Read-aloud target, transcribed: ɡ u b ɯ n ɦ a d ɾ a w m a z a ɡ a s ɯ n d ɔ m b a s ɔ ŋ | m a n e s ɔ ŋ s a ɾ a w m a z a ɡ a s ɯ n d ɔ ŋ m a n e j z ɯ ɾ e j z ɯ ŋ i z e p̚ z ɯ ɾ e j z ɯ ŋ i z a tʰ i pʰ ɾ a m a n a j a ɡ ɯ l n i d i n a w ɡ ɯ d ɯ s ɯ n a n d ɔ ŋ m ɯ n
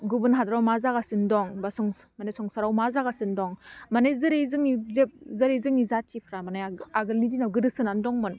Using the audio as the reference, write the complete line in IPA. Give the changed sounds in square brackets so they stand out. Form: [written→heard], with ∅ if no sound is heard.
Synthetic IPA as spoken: ɡ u b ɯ n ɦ a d ɾ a w m a z a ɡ a s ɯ n d ɔ [m→ŋ] b a s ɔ ŋ | m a n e s ɔ ŋ s a ɾ a w m a z a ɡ a s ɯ n d ɔ ŋ m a n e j z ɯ ɾ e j z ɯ ŋ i z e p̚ z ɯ ɾ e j z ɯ ŋ i z a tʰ i pʰ ɾ a m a n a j a ɡ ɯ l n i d i n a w ɡ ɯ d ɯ s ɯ n a n d ɔ ŋ m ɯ n